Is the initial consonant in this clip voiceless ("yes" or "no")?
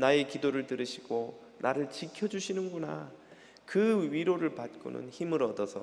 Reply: no